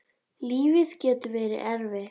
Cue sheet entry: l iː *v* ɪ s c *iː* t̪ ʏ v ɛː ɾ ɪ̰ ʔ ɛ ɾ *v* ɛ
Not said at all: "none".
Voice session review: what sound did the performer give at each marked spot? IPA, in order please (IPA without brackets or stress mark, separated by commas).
v, ɛː, v